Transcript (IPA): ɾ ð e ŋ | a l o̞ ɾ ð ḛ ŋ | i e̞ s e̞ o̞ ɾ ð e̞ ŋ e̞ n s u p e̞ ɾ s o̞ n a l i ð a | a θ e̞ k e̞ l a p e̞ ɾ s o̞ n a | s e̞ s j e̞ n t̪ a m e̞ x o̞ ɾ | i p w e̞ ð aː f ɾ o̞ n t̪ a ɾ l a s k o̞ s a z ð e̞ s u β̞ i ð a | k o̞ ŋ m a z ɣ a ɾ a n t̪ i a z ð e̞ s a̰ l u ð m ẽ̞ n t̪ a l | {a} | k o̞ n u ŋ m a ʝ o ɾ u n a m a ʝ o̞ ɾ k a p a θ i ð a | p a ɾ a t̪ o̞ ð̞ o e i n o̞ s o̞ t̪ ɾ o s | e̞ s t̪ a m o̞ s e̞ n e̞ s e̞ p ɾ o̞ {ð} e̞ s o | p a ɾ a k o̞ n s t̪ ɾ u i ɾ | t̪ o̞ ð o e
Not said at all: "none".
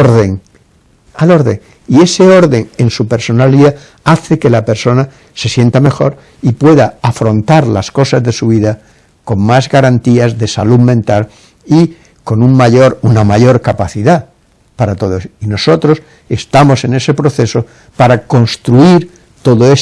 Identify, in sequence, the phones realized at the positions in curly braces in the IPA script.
i, θ

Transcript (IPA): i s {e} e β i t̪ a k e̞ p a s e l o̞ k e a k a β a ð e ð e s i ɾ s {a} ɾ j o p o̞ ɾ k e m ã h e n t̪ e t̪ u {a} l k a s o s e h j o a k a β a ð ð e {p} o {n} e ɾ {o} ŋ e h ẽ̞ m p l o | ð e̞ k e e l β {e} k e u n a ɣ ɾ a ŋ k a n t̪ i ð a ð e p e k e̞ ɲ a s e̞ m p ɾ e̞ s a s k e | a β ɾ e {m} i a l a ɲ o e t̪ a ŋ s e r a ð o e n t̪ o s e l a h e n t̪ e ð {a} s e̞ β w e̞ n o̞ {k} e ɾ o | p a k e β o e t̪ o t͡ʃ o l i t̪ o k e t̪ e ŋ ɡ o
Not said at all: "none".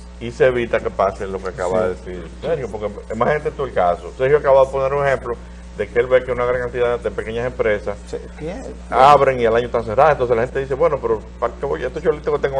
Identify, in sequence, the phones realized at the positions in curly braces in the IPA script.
e, e, e, p, n, u, e, ŋ, i, p

